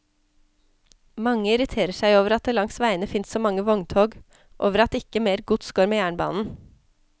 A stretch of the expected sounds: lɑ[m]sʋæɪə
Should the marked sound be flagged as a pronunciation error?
yes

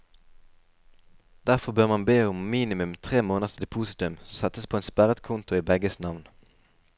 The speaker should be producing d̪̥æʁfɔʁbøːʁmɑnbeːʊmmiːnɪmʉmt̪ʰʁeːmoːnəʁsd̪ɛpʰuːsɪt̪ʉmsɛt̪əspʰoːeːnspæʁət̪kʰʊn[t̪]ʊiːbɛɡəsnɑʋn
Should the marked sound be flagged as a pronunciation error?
no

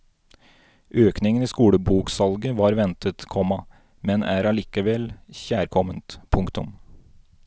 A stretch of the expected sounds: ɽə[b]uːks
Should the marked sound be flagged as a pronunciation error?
no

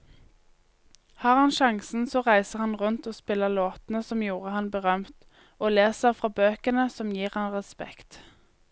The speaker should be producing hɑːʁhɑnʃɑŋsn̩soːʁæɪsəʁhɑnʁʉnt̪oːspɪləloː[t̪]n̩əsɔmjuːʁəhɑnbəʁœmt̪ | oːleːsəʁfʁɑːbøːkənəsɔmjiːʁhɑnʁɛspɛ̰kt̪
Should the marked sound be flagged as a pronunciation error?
no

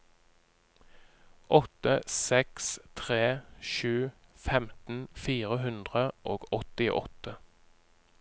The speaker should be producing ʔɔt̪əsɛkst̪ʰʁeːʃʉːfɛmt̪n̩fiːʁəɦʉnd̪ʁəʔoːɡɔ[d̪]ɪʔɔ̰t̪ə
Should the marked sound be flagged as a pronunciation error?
yes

